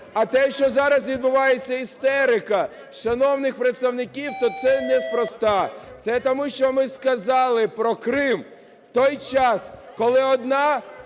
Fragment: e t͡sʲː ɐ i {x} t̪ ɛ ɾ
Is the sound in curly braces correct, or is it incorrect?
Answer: incorrect